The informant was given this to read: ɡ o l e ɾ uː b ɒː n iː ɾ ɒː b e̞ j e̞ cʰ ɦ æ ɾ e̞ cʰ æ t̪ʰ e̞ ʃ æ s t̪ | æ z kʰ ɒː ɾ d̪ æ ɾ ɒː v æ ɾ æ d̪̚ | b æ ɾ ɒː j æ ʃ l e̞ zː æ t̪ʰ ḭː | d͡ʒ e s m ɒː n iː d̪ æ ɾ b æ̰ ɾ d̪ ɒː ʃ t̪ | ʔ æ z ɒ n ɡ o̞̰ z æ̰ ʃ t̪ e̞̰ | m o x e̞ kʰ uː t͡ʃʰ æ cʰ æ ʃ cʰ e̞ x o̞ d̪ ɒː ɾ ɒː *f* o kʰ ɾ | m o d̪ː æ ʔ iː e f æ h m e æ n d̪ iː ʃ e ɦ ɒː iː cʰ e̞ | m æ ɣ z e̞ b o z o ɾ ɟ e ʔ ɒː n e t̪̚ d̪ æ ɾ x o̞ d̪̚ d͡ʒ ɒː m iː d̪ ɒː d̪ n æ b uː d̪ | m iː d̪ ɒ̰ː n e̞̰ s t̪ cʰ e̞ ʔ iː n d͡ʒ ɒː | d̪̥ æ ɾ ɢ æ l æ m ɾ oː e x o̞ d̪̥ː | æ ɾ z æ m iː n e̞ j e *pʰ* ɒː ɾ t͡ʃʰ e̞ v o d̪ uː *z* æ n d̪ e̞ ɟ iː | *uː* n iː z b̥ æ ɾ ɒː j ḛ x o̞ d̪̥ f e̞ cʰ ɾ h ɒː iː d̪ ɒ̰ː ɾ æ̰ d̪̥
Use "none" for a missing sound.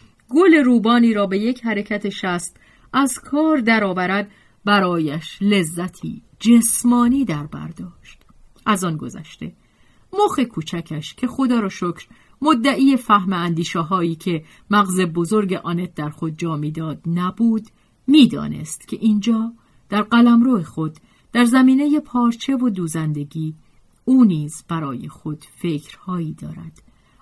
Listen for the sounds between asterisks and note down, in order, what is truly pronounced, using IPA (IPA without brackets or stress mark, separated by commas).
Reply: ʃ, pʰ, z, uː